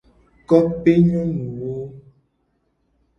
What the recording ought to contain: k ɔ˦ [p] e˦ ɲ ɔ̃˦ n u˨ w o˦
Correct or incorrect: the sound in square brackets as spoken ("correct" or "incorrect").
correct